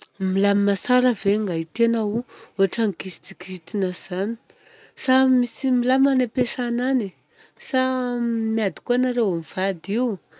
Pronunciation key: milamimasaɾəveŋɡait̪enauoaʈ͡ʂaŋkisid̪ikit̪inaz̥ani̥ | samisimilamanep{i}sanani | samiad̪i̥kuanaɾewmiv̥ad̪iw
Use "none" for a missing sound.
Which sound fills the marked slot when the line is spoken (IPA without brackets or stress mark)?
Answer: e